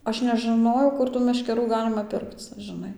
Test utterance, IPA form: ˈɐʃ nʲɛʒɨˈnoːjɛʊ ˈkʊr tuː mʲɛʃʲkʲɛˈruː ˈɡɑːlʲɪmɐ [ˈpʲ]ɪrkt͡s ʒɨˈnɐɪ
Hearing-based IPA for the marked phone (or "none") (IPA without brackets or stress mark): pʲ